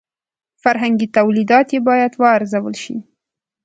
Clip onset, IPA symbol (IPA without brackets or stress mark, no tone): f